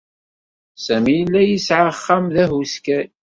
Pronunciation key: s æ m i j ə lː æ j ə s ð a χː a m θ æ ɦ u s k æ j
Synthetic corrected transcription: s æ m i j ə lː æ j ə s ʕ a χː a m ð æ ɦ u s k æ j